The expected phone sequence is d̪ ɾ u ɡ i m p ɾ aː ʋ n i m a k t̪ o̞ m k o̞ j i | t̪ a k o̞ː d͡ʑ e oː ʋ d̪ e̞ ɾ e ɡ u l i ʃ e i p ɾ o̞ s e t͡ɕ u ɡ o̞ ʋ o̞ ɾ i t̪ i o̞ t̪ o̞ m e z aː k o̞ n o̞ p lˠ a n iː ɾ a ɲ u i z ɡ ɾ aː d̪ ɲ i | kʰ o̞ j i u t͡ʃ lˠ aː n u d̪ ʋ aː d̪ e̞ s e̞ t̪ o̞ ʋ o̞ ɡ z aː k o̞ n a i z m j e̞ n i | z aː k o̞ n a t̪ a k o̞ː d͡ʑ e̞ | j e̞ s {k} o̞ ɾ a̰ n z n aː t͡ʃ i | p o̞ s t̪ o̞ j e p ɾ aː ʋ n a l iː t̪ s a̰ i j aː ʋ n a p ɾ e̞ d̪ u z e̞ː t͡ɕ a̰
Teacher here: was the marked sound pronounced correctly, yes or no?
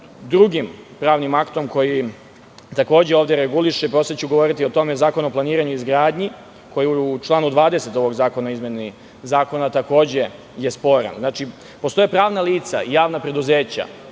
no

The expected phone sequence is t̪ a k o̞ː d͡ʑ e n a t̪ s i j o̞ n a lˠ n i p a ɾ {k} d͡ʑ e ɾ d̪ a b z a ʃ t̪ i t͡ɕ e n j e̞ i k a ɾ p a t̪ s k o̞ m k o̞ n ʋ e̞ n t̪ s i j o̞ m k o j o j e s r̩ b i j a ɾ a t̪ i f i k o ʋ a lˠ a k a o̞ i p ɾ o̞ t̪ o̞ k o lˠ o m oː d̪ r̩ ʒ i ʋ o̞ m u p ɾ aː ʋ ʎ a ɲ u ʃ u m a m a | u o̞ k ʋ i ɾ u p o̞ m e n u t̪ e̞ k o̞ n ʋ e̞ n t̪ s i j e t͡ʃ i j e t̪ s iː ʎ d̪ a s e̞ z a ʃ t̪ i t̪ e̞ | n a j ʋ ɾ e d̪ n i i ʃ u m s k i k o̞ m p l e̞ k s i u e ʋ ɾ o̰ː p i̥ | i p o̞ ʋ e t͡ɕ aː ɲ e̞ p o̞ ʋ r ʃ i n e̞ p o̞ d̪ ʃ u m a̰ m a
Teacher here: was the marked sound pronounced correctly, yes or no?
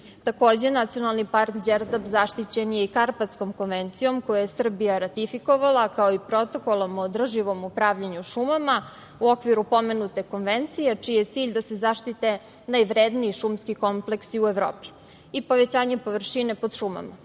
yes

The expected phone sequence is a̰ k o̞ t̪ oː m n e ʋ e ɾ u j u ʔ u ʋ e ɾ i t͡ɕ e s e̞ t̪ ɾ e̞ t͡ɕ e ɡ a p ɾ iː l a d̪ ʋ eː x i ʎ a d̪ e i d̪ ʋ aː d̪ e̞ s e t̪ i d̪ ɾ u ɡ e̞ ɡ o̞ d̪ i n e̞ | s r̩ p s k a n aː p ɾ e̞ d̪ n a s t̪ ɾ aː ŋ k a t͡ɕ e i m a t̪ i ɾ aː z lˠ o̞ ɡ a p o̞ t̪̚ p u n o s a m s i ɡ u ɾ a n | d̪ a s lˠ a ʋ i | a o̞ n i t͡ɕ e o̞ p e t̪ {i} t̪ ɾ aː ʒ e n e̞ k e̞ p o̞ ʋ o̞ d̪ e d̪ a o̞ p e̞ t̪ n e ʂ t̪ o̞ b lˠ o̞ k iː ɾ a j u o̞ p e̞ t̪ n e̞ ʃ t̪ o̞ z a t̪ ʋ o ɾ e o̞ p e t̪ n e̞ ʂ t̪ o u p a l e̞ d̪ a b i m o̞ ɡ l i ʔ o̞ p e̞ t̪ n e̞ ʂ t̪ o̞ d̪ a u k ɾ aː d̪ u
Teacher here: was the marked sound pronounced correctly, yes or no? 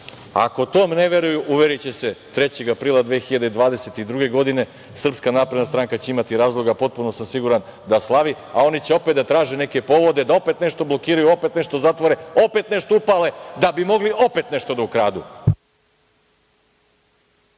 no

